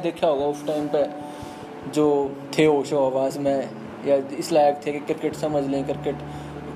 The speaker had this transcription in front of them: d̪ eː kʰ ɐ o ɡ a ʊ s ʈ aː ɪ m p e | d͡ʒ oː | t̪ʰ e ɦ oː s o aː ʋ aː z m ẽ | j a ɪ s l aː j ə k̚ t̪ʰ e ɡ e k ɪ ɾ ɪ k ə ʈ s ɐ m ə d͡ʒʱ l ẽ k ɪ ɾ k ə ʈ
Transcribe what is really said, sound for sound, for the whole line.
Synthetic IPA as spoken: d̪ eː kʰ a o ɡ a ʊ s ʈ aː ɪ m p e | d͡ʒ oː | t̪ʰ e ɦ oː ʃ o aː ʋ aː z m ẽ | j a ɪ s l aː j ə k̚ t̪ʰ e k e k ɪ ɾ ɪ k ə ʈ s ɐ m ə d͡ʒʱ l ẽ k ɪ ɾ k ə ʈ